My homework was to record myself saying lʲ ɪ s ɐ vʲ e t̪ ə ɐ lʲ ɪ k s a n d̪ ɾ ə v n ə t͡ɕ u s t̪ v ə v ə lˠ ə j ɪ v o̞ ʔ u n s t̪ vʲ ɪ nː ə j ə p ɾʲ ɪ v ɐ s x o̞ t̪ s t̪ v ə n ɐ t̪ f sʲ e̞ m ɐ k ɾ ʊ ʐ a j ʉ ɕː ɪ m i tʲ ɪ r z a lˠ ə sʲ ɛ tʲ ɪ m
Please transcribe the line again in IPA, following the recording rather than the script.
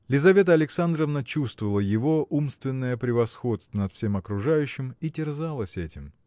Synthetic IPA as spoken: lʲ ɪ z ɐ vʲ e t̪ ə ɐ lʲ ɪ k s a n d̪ ɾ ə v n ə t͡ɕ u s t̪ v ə v ə lˠ ə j ɪ v o̞ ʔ u m s t̪ vʲ ɪ nː ə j ə p ɾʲ ɪ v ɐ s x o̞ t̪ s t̪ v ə n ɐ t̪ f sʲ e̞ m ɐ k ɾ ʊ ʐ a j ʉ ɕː ɪ m i tʲ ɪ r z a lˠ ə sʲ ɛ tʲ ɪ m